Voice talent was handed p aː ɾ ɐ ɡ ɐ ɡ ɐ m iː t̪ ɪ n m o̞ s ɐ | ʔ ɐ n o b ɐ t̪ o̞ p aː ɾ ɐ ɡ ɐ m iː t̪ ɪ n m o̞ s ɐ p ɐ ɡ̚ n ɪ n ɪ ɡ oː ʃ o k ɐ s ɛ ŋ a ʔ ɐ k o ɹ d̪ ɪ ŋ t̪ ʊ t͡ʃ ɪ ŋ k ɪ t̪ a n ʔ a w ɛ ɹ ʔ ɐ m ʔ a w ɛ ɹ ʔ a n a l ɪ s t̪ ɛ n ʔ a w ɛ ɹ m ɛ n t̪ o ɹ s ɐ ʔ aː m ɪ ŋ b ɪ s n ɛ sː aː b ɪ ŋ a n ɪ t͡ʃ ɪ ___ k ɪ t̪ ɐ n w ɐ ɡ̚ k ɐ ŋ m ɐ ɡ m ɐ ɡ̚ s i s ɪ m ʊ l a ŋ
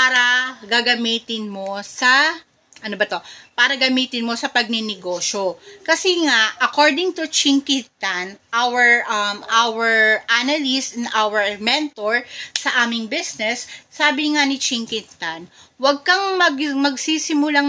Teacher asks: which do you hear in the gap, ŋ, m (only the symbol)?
ŋ